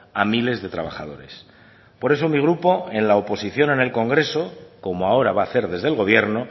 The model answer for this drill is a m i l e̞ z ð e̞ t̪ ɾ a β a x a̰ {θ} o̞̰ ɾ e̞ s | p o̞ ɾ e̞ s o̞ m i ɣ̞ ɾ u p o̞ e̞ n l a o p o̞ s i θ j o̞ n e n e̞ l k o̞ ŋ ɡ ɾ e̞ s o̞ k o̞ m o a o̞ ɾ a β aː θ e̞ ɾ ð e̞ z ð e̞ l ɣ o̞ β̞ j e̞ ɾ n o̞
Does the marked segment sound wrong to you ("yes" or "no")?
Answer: yes